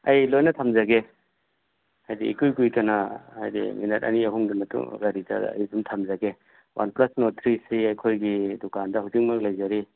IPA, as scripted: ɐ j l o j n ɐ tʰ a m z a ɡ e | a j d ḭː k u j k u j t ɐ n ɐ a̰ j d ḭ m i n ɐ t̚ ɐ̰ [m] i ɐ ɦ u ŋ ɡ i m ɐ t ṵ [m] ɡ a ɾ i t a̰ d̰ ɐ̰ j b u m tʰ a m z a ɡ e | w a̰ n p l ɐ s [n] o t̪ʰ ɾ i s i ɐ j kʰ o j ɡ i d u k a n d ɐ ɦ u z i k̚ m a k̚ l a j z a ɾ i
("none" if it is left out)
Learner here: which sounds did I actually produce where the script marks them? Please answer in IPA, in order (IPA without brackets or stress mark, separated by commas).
n, ŋ, n